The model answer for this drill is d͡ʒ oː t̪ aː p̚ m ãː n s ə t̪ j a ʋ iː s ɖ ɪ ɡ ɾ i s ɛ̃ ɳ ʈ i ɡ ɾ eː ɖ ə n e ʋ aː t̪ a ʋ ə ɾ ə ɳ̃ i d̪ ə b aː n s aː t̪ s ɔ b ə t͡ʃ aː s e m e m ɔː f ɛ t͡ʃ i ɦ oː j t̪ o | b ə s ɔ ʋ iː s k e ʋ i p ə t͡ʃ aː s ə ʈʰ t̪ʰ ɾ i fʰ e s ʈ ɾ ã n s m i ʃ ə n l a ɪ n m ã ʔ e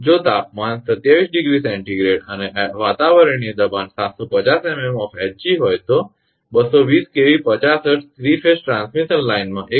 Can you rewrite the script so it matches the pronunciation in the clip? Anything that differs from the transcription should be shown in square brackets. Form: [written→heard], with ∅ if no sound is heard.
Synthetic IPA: d͡ʒ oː t̪ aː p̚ m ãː n s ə t̪ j a ʋ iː s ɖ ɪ ɡ ɾ i s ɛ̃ ɳ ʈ i ɡ ɾ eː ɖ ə n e ʋ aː t̪ a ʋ ə ɾ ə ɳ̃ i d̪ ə b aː n s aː t̪ s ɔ [b→p] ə t͡ʃ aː s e m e m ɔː f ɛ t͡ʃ i ɦ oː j t̪ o | b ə s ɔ ʋ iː s k e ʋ i p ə t͡ʃ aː s ə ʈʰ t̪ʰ ɾ i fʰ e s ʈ ɾ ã n s m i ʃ ə n l a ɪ n m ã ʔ e

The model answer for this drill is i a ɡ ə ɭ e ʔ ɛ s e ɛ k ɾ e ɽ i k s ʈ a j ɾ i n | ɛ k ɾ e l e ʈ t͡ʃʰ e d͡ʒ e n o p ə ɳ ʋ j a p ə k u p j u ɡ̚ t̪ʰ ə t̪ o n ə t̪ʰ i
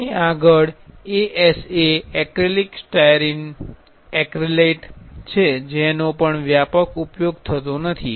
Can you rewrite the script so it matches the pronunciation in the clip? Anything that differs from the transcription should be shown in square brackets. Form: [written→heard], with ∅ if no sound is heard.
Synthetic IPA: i a ɡ ə ɭ e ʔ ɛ s e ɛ k ɾ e [ɽ→l] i k s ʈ a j ɾ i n | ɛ k ɾ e l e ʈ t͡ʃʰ e d͡ʒ e n o p ə ɳ ʋ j a p ə k u p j [u→o] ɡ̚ t̪ʰ ə t̪ o n ə t̪ʰ i

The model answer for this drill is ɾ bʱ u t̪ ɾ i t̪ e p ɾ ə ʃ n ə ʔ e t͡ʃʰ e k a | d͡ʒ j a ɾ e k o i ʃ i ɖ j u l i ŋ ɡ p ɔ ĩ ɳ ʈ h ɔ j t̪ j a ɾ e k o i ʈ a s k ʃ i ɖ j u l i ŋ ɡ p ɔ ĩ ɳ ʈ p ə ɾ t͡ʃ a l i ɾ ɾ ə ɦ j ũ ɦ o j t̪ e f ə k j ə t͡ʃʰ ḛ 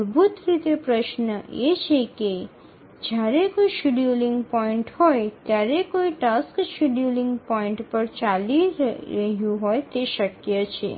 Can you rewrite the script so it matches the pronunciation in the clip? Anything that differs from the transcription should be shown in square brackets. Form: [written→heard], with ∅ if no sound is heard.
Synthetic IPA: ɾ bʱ u t̪ ɾ i t̪ e p ɾ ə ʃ n ə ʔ e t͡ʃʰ e k [a→e] | d͡ʒ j a ɾ e k o i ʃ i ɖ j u l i ŋ ɡ p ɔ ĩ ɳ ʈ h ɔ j t̪ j a ɾ e k o i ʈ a s k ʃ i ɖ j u l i ŋ ɡ p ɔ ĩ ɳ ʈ p ə ɾ t͡ʃ a l i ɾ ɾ ə ɦ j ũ ɦ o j t̪ e [f→ʃ] ə k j ə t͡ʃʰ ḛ

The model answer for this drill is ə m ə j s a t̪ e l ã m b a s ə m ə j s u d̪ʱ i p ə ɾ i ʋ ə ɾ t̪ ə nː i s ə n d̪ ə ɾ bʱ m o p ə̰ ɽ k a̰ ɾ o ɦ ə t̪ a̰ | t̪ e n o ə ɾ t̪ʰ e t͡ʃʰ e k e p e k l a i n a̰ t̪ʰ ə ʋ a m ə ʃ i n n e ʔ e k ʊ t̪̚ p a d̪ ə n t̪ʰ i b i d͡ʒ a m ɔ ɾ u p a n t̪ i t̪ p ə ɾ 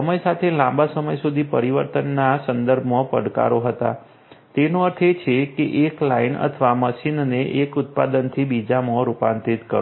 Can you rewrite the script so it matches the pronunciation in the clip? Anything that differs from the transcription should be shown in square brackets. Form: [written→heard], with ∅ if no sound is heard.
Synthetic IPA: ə m ə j s a [t̪→t̪ʰ] e l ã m b a s ə m ə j s u d̪ʱ i p ə ɾ i ʋ ə ɾ t̪ ə nː [i→a] s ə n d̪ ə ɾ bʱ m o p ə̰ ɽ k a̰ ɾ o ɦ ə t̪ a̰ | t̪ e n o ə ɾ t̪ʰ e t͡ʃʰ e k e [p→ʔ] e k l a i n [a̰→ə̰] t̪ʰ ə ʋ a m ə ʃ i n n e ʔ e k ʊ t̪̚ p a d̪ ə n t̪ʰ i b i d͡ʒ a m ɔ ɾ u p a n t̪ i t̪ [p→k] ə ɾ

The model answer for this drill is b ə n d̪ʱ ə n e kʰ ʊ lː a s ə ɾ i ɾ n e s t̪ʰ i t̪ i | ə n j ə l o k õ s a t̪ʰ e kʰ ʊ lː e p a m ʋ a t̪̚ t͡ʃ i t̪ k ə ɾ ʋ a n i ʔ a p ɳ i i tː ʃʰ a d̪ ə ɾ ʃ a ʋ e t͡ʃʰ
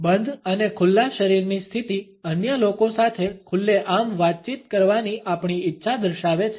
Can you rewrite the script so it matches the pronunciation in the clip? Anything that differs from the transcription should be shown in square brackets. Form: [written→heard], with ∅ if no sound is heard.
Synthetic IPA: b ə n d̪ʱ ə n e kʰ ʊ lː a [s→ʃ] ə ɾ i ɾ n [e→i] s t̪ʰ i t̪ i | ə n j ə l o k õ s a t̪ʰ e kʰ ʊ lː e [p→ʔ] a m ʋ a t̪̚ t͡ʃ i t̪ k ə ɾ ʋ a n i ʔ a p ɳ i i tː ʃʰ a d̪ ə ɾ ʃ a ʋ e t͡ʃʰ

